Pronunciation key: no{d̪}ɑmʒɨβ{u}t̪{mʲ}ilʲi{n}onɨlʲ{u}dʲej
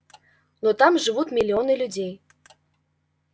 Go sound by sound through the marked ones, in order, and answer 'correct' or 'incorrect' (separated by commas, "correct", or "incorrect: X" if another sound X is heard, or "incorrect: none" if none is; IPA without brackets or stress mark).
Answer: incorrect: t̪, correct, correct, incorrect: none, correct